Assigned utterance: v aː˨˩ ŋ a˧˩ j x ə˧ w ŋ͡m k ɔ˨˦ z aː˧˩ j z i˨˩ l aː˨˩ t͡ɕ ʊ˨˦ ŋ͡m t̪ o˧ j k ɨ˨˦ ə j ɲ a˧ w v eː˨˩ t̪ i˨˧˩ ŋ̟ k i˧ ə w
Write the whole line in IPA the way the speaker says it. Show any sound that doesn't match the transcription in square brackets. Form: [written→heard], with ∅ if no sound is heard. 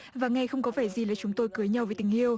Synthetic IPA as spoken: v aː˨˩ ŋ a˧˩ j x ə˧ w ŋ͡m k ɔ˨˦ [z→v] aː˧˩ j z i˨˩ l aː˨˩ t͡ɕ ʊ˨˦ ŋ͡m t̪ o˧ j k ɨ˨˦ ə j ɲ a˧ w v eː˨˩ t̪ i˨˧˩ ŋ̟ [k→ʔ] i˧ ə w